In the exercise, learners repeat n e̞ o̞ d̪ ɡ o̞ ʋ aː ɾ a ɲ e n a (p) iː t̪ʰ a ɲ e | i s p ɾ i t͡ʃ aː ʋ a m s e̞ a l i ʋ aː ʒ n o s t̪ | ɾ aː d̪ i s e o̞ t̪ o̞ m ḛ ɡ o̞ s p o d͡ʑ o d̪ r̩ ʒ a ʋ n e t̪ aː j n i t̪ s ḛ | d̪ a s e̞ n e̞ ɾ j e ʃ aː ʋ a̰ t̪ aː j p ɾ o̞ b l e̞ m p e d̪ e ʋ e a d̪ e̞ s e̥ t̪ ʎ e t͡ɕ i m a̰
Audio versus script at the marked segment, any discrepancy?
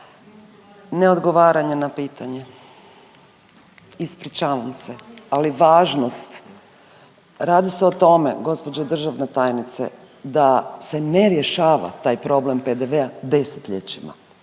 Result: no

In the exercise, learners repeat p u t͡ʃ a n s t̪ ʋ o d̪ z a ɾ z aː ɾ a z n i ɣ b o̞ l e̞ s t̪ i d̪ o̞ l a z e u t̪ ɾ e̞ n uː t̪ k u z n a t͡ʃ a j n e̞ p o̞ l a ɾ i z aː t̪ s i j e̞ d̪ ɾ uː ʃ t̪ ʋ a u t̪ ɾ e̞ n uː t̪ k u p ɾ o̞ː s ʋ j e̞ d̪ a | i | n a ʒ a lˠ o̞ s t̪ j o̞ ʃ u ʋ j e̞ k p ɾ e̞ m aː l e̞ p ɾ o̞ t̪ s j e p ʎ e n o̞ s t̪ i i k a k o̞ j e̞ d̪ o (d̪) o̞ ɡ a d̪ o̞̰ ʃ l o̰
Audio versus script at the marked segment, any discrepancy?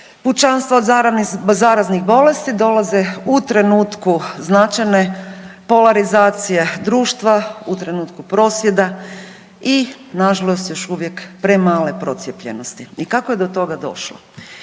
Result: yes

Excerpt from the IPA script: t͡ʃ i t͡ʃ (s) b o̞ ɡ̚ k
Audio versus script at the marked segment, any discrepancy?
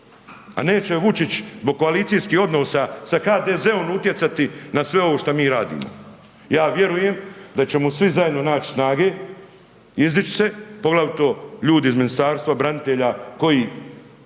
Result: yes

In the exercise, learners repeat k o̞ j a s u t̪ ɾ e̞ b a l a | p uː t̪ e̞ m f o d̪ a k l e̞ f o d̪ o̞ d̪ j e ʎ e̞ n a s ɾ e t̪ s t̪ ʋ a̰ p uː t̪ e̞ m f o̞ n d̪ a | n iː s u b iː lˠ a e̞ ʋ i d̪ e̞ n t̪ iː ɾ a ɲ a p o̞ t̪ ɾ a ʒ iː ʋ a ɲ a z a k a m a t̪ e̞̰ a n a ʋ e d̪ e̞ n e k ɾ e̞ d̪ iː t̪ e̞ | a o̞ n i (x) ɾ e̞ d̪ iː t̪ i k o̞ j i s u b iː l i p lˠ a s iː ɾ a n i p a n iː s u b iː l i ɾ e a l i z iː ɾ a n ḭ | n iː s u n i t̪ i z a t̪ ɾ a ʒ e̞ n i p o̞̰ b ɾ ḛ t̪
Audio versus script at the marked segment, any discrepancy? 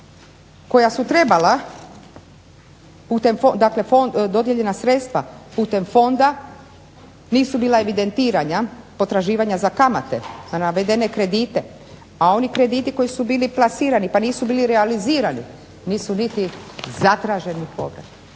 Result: yes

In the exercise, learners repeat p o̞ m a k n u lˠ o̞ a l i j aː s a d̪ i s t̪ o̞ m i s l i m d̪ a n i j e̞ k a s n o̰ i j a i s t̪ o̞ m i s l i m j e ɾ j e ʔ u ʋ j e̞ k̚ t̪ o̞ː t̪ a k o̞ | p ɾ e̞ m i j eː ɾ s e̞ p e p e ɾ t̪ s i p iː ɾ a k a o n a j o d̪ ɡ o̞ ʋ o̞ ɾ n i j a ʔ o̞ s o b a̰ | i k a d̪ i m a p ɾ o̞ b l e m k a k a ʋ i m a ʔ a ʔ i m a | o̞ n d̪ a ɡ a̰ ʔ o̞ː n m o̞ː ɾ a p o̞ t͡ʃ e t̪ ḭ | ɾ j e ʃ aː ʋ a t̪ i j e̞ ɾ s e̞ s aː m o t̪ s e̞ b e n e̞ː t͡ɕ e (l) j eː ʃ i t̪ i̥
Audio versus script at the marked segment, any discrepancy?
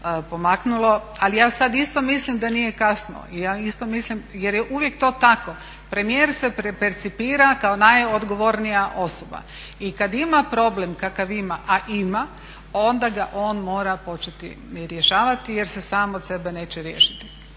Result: yes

